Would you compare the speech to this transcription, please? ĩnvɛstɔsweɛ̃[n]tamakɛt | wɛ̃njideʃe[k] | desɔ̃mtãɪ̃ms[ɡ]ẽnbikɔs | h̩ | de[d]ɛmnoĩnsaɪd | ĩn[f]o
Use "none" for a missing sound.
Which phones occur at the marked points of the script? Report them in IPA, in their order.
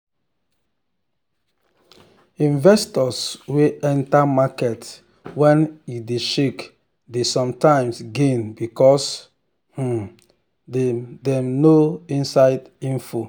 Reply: n, k, ɡ, d, f

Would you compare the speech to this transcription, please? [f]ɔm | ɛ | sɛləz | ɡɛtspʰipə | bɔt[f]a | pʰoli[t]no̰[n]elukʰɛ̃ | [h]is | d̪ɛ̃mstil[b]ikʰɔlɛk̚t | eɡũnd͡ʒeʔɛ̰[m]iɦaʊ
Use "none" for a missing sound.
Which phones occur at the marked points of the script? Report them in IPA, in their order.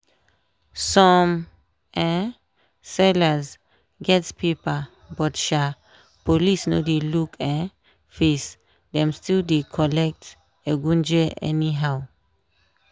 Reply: s, ʃ, s, d, f, d, n

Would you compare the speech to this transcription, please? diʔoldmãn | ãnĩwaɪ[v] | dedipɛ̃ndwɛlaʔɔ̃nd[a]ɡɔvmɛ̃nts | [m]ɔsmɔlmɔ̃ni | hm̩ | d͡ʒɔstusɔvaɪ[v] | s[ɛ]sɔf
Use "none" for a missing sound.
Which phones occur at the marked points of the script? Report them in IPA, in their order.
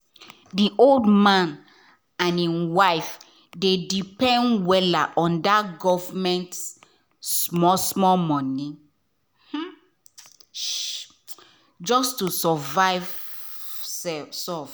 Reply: f, a, m, v, ɛ

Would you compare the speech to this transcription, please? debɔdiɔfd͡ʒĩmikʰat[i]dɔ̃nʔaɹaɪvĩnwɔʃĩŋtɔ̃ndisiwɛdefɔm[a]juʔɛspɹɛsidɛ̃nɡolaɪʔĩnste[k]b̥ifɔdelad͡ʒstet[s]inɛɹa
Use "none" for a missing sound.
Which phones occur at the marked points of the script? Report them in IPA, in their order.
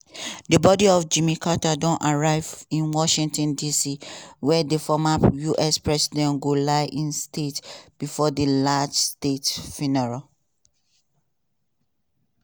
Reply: a, a, t, f

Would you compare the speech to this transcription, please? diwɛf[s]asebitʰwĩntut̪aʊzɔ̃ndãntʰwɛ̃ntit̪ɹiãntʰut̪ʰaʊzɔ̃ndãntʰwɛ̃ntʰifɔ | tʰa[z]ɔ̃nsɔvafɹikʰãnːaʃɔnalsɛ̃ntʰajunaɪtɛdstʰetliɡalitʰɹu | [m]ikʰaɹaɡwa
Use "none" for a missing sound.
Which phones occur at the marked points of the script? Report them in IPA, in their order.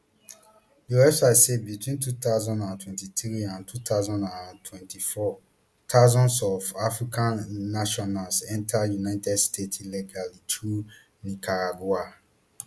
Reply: s, z, n

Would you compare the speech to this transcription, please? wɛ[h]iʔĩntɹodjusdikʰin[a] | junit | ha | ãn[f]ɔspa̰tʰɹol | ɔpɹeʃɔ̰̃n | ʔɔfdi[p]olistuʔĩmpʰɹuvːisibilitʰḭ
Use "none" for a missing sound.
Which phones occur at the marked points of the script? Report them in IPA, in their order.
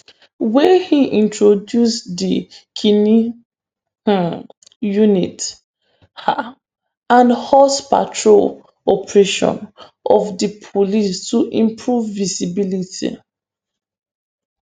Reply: h, i, h, pʰ

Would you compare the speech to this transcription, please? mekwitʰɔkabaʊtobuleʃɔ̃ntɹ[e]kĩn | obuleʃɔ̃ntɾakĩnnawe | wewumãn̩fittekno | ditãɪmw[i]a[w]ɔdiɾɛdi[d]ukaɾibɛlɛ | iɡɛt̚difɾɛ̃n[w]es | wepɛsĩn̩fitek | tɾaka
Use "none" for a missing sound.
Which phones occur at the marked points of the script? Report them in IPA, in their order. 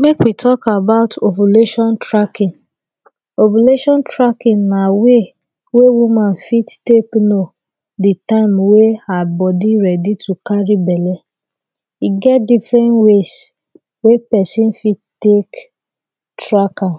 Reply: a, e, b, t, w

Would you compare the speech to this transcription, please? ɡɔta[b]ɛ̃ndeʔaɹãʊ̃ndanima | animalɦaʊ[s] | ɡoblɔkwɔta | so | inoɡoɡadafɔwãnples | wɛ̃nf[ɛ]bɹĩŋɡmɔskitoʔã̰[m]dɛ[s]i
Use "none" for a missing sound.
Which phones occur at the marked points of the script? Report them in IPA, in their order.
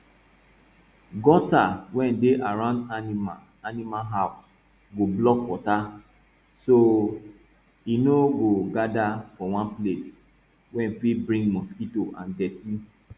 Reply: w, s, i, n, t

